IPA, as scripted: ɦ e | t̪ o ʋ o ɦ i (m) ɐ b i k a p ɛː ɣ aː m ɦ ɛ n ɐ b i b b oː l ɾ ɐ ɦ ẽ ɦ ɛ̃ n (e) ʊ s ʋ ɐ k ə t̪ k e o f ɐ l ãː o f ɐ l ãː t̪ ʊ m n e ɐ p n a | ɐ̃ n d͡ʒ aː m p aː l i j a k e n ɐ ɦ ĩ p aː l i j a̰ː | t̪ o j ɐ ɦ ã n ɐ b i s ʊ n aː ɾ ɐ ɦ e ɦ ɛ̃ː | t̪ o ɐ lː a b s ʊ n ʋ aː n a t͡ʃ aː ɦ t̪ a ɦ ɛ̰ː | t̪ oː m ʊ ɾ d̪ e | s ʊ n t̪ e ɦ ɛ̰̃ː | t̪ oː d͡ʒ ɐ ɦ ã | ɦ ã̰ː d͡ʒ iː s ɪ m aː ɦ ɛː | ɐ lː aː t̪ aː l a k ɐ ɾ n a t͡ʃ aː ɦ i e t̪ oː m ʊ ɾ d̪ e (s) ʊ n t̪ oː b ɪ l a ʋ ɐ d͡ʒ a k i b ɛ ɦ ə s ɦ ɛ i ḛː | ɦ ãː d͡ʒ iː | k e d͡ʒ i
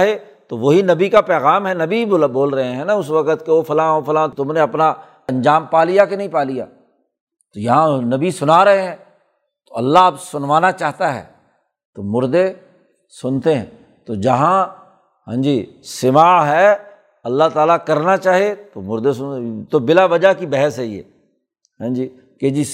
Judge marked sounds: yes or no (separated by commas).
no, no, yes